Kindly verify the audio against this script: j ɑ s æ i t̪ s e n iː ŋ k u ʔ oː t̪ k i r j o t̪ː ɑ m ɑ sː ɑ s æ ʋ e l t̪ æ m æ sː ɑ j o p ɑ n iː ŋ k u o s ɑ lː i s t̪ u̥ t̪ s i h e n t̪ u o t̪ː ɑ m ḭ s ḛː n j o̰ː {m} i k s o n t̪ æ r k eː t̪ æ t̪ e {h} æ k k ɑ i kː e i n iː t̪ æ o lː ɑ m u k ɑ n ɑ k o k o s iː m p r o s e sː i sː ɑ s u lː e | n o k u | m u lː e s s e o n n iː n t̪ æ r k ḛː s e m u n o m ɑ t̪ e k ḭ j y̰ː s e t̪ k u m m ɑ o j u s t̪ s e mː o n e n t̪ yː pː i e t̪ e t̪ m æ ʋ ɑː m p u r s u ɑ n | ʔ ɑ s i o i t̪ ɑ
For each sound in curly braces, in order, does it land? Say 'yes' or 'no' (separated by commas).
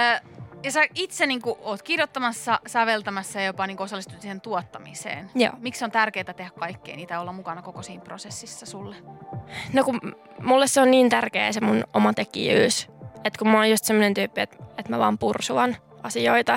yes, yes